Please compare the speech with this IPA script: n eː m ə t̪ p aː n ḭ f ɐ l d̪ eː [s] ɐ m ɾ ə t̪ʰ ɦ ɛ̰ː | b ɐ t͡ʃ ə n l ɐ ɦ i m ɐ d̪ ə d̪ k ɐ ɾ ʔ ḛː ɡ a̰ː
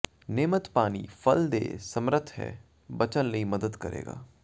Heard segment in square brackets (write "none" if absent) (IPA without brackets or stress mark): s